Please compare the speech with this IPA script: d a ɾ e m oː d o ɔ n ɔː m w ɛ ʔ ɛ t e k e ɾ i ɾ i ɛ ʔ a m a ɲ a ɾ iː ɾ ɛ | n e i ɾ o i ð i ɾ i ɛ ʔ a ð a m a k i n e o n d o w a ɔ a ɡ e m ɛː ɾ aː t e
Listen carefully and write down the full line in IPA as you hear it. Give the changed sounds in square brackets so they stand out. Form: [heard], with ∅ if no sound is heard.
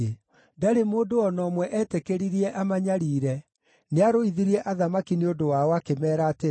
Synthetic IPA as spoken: d a ɾ e m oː d o ɔ n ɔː m w ɛ ʔ ɛ t e k e ɾ i ɾ i ɛ ʔ a m a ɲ a ɾ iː ɾ ɛ | n e [a] ɾ o i ð i ɾ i ɛ ʔ a ð a m a k i n e o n d o w a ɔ a [k] e m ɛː ɾ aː t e